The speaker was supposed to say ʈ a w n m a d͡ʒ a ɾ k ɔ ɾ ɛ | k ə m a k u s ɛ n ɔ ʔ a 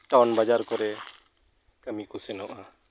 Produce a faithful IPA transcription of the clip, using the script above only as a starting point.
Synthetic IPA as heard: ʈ a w n b a d͡ʒ a ɾ k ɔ ɾ ɛ | k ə m i k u s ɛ n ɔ ʔ a